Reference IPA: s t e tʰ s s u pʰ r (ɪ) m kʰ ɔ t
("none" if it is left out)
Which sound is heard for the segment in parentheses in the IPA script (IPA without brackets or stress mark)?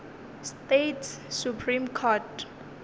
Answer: i